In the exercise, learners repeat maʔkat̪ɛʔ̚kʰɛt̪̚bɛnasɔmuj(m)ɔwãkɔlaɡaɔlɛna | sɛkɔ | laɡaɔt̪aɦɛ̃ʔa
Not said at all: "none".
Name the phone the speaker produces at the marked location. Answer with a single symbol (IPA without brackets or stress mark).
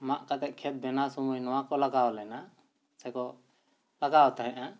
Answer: n